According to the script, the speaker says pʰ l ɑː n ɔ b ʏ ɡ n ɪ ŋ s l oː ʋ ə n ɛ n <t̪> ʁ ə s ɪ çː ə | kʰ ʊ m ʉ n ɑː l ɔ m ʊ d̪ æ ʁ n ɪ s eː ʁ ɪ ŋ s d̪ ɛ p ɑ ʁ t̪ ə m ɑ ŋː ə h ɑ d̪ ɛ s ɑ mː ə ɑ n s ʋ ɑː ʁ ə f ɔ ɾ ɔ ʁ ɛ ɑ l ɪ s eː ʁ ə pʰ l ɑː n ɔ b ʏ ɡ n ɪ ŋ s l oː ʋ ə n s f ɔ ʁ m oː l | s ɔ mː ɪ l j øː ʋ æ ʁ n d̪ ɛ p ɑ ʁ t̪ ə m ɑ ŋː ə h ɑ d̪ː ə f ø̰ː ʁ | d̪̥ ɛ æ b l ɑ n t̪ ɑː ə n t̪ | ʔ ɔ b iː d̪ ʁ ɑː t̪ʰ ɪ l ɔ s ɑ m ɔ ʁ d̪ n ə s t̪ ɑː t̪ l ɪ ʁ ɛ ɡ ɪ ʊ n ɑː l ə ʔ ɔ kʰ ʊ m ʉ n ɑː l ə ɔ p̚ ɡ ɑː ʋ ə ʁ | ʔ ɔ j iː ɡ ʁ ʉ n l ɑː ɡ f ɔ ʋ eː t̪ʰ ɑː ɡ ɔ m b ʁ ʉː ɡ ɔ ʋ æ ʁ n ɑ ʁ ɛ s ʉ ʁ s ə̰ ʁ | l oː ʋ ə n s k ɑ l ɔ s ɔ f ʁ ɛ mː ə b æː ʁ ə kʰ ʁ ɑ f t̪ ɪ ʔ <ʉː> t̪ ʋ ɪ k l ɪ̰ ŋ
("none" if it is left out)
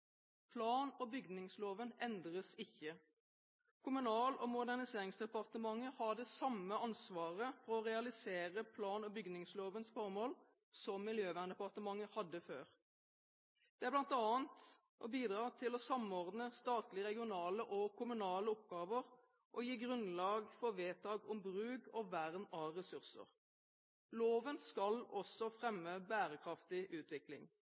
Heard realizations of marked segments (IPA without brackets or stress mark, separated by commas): d̪, ʉː